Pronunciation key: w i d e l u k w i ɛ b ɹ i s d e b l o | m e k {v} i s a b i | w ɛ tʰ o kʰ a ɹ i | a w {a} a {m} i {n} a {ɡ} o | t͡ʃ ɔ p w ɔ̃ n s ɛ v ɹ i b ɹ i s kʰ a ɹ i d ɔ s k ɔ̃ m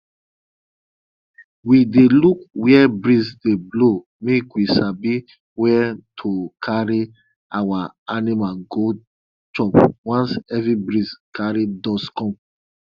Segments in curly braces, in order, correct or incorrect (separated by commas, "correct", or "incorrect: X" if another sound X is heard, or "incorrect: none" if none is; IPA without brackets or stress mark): incorrect: w, correct, incorrect: n, incorrect: m, correct